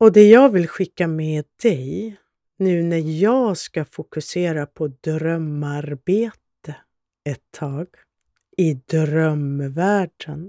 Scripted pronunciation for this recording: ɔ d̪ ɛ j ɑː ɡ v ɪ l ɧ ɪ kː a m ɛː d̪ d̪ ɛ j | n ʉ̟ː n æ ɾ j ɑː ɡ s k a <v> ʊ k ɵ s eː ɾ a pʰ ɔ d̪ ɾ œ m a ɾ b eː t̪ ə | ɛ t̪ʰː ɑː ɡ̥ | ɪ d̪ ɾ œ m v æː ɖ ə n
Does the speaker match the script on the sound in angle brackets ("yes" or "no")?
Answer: no